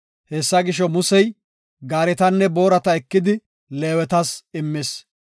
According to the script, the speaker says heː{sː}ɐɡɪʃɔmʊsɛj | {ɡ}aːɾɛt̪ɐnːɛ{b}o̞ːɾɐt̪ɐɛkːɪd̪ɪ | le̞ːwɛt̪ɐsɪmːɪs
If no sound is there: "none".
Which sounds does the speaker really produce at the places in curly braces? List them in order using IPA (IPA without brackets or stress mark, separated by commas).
sː, ɡ, b